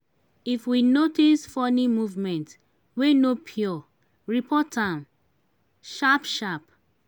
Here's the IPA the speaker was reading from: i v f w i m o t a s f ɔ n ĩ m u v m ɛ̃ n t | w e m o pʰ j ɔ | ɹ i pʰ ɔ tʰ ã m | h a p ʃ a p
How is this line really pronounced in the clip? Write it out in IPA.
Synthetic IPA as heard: i f w i n o t i s f ɔ n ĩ m u v m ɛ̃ n t | w e n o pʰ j ɔ | ɹ i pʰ ɔ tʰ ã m | ʃ a p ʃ a p